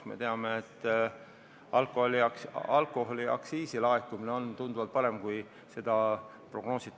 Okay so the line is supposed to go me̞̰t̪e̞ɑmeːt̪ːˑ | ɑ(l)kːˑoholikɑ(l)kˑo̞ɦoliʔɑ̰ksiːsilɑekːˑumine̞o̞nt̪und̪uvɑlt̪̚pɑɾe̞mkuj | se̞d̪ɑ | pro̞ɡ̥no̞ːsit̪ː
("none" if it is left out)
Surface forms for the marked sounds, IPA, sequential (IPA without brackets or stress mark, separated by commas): l, l